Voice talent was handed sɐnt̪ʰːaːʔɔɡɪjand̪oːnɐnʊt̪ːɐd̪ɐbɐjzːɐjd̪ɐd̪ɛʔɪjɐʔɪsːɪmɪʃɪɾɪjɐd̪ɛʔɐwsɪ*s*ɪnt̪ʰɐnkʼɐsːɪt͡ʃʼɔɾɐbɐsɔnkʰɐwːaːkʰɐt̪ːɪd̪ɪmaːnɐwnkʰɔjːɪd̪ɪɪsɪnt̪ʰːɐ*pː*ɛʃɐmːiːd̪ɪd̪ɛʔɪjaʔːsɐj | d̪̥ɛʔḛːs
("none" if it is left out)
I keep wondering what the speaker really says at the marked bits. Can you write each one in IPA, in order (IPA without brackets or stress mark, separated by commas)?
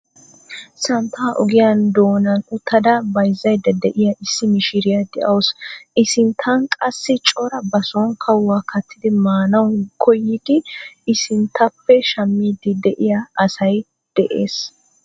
s, pː